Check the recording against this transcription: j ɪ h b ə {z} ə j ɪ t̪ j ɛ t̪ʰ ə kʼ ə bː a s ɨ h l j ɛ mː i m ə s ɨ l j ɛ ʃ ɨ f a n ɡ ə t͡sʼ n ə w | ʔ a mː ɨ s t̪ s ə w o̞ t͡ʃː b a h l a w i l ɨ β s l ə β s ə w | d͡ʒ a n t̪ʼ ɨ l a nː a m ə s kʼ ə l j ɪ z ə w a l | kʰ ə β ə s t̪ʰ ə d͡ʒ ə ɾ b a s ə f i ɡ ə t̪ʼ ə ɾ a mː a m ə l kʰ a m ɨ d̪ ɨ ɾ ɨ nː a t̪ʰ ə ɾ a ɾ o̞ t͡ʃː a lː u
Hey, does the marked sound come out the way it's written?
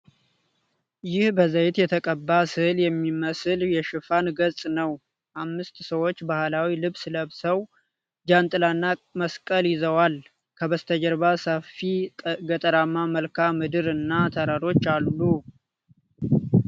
yes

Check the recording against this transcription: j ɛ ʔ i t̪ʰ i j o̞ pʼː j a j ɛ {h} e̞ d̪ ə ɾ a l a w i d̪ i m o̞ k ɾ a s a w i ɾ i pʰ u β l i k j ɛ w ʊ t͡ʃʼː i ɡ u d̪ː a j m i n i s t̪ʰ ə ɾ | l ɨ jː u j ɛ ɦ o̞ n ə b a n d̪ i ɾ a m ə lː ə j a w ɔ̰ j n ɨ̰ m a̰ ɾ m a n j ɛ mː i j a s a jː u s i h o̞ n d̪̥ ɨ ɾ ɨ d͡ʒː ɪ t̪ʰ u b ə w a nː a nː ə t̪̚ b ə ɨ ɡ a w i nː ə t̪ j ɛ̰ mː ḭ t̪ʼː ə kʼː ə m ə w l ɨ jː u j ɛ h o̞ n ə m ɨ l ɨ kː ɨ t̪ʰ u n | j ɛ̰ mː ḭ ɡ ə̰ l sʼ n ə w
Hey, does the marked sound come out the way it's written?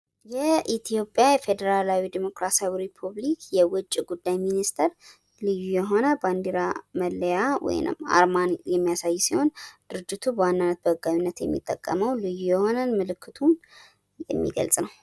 no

